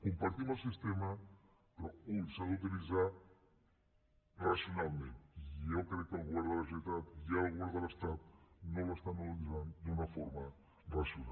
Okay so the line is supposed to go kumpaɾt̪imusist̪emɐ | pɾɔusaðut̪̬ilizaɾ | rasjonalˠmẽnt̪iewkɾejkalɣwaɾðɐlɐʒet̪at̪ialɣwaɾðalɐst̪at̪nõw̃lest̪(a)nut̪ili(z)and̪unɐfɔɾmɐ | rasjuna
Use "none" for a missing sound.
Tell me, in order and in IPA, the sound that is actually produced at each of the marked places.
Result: a, z

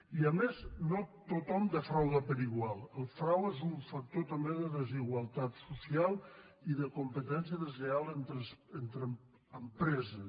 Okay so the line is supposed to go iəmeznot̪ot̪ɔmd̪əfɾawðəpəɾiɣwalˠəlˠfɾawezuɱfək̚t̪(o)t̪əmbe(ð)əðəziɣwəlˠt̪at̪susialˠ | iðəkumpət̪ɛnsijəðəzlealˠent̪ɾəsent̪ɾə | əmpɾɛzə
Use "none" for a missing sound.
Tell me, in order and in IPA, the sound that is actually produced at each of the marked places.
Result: o, ð

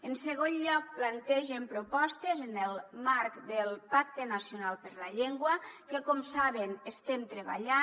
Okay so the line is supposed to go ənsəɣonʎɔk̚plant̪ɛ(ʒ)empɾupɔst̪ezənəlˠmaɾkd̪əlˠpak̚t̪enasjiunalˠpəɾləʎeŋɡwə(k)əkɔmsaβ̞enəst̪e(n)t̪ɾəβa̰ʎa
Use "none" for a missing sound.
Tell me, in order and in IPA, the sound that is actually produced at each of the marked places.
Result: ʒ, k, m

